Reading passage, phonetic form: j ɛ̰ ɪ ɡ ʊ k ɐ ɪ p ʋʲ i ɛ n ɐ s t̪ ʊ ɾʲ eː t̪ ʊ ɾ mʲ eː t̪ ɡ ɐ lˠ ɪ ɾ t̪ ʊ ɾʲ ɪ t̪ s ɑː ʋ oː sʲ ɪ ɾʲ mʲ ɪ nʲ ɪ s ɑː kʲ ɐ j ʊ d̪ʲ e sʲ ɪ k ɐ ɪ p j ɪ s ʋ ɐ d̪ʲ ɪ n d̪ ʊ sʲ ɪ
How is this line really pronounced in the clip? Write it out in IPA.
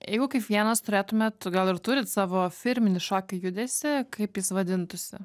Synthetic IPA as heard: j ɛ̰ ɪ ɡ ʊ k ɐ ɪ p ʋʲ i ɛ n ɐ s t̪ ʊ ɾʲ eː t̪ ʊ mʲ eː t̪ ɡ ɐ lˠ ɪ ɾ t̪ ʊ ɾʲ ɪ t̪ s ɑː ʋ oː fʲ ɪ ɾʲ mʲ ɪ nʲ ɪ ʃ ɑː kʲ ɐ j ʊ d̪ʲ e sʲ ɪ k ɐ ɪ p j ɪ s ʋ ɐ d̪ʲ ɪ n t̪ ʊ sʲ ɪ